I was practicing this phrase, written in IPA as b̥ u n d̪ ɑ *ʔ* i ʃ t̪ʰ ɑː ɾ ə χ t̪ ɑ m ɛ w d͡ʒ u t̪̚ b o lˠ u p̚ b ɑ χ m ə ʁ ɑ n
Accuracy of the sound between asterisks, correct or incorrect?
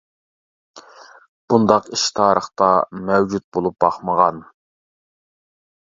incorrect